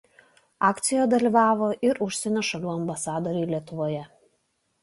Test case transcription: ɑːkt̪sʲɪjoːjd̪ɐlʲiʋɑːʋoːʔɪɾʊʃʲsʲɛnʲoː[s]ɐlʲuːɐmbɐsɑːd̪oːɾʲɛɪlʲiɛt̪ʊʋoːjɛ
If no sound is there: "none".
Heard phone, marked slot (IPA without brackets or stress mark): ʃ